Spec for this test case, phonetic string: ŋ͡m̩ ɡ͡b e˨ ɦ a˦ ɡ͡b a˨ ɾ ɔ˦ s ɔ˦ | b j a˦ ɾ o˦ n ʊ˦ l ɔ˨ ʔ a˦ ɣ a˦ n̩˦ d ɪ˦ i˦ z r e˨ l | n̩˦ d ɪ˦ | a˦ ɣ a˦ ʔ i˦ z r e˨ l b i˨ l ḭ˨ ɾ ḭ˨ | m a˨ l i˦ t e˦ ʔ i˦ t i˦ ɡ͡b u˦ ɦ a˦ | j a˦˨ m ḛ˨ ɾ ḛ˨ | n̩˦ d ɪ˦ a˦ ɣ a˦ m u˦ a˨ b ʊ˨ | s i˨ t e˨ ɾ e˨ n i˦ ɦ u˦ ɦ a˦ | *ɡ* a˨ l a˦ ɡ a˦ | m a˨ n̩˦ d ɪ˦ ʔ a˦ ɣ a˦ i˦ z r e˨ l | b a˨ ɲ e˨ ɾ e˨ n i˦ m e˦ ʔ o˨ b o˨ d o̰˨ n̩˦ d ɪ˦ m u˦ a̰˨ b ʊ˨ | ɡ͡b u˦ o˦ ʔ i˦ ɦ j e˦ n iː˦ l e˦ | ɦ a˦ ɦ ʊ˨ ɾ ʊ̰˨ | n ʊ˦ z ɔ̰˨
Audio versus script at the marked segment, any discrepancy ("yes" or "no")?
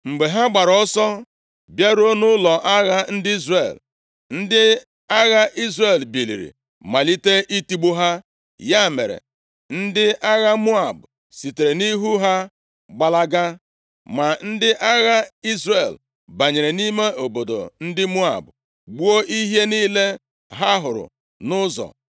yes